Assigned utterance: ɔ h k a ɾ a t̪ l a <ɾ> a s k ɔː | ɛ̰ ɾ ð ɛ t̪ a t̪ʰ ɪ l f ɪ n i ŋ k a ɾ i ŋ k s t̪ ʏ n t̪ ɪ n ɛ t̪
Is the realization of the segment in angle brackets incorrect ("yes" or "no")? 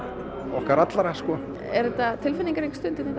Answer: no